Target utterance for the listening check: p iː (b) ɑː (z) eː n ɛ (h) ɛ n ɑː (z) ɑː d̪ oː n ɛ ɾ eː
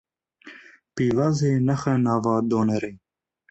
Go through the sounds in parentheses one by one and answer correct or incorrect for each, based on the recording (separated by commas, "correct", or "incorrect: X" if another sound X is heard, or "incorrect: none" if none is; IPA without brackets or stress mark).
incorrect: v, correct, incorrect: x, incorrect: v